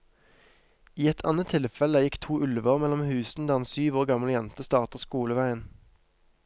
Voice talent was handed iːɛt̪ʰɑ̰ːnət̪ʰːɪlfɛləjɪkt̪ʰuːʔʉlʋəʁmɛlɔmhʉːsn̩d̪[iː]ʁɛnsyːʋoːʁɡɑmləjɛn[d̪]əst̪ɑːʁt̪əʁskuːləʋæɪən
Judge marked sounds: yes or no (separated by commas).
no, no